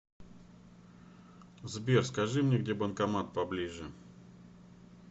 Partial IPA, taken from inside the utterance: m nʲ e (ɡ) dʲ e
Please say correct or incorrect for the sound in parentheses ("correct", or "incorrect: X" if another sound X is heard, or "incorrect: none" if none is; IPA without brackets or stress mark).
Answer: correct